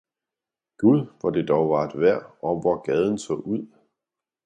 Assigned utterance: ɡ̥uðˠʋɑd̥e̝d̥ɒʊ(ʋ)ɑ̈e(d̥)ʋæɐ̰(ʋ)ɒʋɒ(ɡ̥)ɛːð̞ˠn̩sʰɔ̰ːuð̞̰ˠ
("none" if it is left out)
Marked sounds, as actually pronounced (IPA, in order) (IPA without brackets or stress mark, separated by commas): ʋ, d̥, none, ɡ̥